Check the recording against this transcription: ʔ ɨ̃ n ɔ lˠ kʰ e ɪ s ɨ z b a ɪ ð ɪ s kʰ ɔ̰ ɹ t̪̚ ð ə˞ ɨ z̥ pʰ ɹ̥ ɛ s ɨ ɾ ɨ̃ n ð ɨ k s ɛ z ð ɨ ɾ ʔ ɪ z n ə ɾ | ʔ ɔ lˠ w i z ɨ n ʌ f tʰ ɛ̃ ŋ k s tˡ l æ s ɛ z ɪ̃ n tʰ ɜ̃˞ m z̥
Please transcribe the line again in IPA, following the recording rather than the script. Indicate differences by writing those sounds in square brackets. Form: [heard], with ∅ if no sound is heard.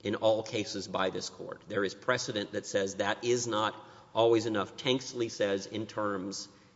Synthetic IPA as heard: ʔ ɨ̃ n ɔ lˠ kʰ e ɪ s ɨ z b a ɪ ð ɪ s kʰ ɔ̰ ɹ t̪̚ ð ə˞ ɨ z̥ pʰ ɹ̥ ɛ s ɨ ɾ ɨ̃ n ð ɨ [t] s ɛ z ð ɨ ɾ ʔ ɪ z n ə ɾ | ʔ ɔ lˠ w i z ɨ n ʌ f tʰ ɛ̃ ŋ k s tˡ l [i] s ɛ z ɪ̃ n tʰ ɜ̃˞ m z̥